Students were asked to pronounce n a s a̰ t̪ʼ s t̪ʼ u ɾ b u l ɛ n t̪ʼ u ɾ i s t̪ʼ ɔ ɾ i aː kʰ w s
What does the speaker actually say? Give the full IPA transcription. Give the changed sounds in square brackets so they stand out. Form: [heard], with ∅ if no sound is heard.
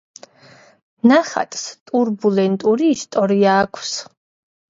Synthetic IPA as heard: n a [χ] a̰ t̪ʼ s t̪ʼ u ɾ b u l ɛ n t̪ʼ u ɾ [iː] s t̪ʼ ɔ ɾ i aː kʰ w s